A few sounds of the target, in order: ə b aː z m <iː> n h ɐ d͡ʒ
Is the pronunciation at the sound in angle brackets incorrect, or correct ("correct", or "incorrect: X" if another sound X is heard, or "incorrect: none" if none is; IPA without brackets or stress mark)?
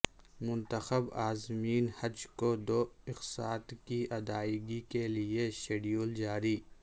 correct